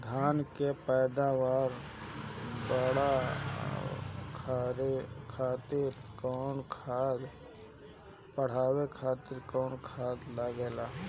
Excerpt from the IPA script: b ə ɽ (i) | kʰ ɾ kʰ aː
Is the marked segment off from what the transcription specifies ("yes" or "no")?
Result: yes